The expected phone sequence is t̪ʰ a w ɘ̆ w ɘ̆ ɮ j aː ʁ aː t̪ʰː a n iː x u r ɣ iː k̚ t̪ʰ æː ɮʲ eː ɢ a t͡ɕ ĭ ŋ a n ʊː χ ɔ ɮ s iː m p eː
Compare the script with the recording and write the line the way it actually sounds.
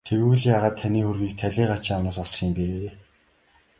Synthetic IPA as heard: t̪ʰ e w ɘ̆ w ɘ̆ ɮ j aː ʁ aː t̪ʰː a n iː x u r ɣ iː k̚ t̪ʰ æ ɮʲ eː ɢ a t͡ɕ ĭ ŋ a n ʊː s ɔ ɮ s iː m p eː